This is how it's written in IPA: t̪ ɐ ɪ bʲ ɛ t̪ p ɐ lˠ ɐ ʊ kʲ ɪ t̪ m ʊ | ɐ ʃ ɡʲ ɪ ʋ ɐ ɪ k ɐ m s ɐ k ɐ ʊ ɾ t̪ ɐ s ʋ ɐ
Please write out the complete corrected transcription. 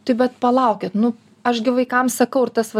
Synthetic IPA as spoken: t̪ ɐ ɪ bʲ ɛ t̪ p ɐ lˠ ɐ ʊ kʲ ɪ t̪ n ʊ | ɐ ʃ ɡʲ ɪ ʋ ɐ ɪ k ɐ m s ɐ k ɐ ʊ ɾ t̪ ɐ s ʋ ɐ

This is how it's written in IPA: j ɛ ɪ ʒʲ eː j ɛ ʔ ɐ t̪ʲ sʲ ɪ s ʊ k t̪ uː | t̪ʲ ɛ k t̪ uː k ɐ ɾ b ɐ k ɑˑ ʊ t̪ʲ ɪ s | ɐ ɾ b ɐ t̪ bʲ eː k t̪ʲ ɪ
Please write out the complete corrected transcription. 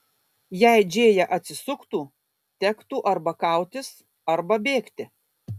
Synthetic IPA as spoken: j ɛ ɪ d͡ʒʲ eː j ɛ ʔ ɐ t̪ʲ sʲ ɪ s ʊ k t̪ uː | t̪ʲ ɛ k t̪ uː ʔ ɐ ɾ b ɐ k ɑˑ ʊ t̪ʲ ɪ s | ɐ ɾ b ɐ bʲ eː k t̪ʲ ɪ

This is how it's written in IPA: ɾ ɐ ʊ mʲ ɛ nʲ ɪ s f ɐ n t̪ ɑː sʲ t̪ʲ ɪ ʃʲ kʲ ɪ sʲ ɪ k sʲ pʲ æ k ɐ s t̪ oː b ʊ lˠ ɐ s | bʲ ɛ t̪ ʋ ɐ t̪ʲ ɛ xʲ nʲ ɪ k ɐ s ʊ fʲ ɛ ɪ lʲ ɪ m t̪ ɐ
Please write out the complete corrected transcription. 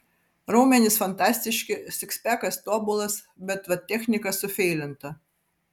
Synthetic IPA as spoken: ɾ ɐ ʊ mʲ ɛ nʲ ɪ s f ɐ n t̪ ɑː sʲ t̪ʲ ɪ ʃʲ kʲ ɪ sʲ ɪ k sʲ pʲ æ k ɐ s t̪ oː b ʊ lˠ ɐ s | bʲ ɛ t̪ ʋ ɐ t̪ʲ ɛ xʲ nʲ ɪ k ɐ s ʊ fʲ ɛ ɪ lʲ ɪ n t̪ ɐ

